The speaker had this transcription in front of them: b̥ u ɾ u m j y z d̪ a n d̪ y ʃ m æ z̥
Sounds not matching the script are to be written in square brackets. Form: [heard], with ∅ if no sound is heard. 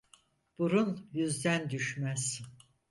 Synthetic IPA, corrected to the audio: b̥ u ɾ u [n] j y z d̪ [æ] n d̪ y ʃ m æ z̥